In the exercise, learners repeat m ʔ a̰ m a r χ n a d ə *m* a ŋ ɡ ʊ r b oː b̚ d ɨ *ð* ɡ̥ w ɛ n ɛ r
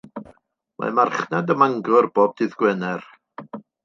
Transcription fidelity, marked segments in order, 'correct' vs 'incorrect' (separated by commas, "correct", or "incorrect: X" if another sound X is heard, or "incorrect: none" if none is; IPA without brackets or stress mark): correct, correct